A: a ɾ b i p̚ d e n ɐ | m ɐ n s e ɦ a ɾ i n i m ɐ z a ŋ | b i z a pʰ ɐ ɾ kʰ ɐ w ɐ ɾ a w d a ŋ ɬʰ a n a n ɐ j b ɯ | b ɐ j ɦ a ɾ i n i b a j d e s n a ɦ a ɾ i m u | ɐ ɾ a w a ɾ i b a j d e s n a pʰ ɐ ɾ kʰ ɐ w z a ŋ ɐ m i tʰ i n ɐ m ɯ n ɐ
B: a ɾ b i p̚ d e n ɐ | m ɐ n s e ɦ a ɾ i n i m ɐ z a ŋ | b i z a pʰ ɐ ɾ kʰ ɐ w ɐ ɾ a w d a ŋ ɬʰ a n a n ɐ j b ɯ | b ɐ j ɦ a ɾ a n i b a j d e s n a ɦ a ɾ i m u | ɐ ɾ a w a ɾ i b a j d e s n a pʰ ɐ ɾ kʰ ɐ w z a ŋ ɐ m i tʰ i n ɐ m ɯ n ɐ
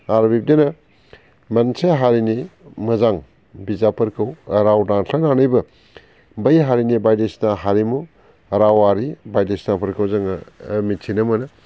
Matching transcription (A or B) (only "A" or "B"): A